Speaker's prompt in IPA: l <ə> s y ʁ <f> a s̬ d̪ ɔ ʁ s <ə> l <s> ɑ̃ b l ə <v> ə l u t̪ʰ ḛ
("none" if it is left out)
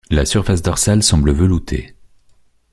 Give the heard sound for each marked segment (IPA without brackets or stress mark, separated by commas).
a, f, a, s, v